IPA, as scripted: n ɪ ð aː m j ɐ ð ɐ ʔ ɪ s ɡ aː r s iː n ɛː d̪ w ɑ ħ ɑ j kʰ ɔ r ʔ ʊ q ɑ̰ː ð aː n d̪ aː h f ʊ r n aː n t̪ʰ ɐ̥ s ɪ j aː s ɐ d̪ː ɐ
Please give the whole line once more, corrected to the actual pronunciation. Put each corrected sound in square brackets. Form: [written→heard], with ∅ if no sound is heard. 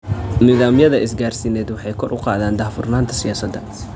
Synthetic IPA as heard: n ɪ ð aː m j ɐ ð ɐ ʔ ɪ s ɡ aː r s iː n ɛː d̪ w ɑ ħ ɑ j kʰ ɔ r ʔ ʊ q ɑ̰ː ð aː n d̪ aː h f ʊ r n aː n t̪ʰ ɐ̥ s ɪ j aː s ɐ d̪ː ɐ